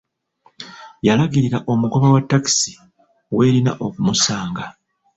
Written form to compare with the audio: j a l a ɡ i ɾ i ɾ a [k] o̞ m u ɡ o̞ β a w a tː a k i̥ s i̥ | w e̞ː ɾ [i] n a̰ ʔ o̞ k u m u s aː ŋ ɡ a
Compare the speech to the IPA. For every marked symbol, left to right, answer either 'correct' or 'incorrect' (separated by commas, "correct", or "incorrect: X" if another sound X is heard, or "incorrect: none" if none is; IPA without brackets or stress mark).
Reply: incorrect: ʔ, correct